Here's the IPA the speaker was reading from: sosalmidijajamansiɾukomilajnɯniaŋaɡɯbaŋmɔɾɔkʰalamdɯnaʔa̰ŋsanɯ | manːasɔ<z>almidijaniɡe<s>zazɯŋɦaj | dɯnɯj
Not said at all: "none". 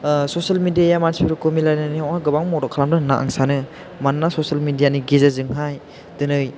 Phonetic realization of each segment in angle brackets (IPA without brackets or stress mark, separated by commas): s, none